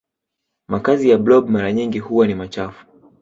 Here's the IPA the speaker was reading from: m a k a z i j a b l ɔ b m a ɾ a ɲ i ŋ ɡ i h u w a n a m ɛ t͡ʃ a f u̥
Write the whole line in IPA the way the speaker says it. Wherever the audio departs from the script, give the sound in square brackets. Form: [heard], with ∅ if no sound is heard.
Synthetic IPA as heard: m a k a z i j a b l ɔ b m a ɾ a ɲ i ŋ ɡ i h u w a n [i] m [a] t͡ʃ a f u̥